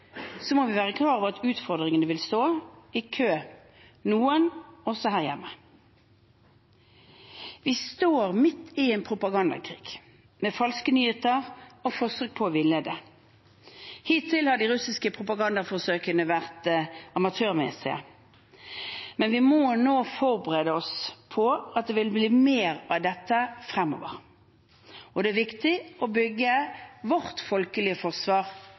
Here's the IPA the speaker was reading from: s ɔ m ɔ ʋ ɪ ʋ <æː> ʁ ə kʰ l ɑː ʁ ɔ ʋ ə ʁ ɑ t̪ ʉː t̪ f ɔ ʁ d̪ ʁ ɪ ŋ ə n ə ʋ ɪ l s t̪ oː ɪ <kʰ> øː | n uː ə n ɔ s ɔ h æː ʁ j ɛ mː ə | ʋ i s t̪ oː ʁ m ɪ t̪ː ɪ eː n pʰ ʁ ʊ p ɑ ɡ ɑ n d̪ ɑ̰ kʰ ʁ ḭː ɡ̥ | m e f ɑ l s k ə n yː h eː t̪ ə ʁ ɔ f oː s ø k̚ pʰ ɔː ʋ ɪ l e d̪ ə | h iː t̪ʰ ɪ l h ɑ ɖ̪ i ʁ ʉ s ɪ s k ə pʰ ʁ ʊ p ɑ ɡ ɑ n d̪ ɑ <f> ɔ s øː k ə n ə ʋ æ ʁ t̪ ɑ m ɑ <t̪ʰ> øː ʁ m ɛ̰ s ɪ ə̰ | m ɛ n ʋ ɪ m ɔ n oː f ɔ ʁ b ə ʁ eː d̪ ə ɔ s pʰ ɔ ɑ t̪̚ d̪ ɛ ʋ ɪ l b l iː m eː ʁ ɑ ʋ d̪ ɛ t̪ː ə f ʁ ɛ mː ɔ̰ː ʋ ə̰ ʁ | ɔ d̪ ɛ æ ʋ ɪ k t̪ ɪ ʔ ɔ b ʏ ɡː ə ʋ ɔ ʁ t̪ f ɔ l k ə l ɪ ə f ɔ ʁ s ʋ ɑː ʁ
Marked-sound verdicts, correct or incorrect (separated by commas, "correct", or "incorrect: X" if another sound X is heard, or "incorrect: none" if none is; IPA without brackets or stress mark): correct, correct, correct, correct